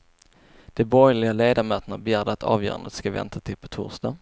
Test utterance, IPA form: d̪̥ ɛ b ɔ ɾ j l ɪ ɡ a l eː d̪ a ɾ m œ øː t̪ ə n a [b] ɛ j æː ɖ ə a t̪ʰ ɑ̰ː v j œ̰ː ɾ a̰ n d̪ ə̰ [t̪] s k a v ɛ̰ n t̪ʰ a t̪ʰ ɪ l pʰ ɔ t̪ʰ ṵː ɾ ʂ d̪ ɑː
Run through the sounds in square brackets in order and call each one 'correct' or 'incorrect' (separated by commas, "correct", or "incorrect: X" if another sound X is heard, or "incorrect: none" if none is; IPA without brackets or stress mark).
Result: correct, correct